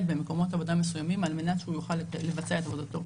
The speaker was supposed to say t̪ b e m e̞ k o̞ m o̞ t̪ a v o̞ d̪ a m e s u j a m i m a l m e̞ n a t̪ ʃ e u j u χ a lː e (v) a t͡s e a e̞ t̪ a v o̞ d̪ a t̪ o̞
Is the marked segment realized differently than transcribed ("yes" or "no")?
no